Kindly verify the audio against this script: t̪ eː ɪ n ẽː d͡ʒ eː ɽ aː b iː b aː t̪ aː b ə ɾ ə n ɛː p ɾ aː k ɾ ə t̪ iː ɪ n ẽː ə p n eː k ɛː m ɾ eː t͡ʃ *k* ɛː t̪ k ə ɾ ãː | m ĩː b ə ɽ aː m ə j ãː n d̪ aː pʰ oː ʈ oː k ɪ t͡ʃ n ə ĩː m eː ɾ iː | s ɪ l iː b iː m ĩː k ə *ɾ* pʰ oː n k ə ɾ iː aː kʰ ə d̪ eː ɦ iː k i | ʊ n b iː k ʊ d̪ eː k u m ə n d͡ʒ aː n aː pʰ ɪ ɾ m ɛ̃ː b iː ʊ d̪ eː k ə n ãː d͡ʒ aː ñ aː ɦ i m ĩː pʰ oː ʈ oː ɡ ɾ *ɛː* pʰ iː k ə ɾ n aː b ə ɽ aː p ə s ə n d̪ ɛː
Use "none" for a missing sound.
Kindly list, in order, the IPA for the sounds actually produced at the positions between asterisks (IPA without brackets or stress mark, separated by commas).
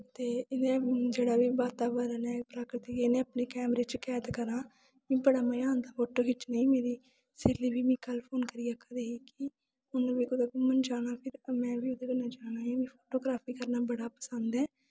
k, l, aː